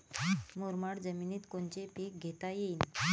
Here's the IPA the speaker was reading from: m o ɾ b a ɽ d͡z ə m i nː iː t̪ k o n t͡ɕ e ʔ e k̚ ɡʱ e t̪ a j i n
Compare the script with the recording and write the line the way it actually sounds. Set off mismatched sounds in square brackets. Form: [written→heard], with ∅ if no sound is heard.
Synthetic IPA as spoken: m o ɾ [b→m] a ɽ d͡z ə m i [nː→n] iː t̪ k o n t͡ɕ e [ʔ→p] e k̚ ɡʱ e t̪ a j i n